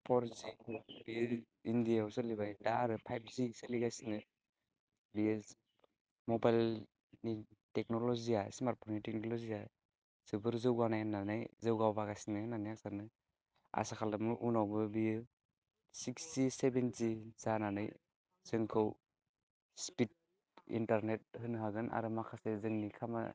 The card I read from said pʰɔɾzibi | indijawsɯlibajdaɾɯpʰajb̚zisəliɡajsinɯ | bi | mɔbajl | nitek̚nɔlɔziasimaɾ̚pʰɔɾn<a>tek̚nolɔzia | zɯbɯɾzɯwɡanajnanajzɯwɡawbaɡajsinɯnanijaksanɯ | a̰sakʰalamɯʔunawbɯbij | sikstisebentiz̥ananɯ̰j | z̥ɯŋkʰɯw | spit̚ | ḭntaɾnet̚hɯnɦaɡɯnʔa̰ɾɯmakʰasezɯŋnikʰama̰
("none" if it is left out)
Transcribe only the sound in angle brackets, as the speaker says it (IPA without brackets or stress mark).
i